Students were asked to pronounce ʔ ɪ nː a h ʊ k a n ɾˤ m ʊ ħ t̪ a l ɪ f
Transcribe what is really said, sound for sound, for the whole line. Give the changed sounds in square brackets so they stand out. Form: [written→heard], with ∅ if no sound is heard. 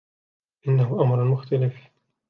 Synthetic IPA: ʔ ɪ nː a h ʊ [k→ʔ] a [n→m] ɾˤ m ʊ [ħ→x] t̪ a l ɪ f